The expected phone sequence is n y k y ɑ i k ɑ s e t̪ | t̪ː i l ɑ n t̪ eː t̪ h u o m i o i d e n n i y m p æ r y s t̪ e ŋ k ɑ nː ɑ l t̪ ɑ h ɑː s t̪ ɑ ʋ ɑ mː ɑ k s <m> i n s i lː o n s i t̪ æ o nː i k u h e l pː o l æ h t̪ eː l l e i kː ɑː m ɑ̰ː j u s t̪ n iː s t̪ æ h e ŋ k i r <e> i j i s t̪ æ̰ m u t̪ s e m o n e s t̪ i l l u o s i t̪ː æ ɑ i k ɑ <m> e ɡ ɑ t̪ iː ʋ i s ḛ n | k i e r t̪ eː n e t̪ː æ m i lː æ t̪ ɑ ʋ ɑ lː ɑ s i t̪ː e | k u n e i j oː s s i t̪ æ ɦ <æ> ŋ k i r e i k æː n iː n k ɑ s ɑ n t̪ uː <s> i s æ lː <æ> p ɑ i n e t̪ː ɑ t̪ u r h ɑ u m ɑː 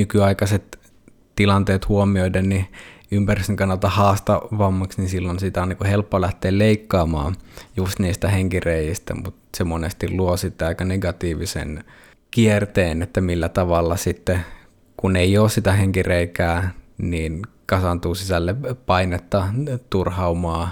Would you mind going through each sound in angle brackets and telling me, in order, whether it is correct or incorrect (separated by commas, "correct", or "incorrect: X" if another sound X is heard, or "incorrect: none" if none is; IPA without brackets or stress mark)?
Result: incorrect: n, correct, incorrect: n, incorrect: e, correct, incorrect: e